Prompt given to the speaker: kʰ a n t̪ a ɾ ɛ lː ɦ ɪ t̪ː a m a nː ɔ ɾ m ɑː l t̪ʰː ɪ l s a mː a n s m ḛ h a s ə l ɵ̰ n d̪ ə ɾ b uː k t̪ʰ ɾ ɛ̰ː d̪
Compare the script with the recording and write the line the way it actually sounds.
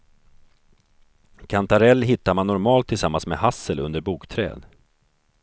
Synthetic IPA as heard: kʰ a n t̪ a ɾ ɛ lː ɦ ɪ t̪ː a m a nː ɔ ɾ m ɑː l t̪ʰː ɪ l s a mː a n s m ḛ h a s ə l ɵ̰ n d̪ ə ɾ b uː k t̪ʰ ɾ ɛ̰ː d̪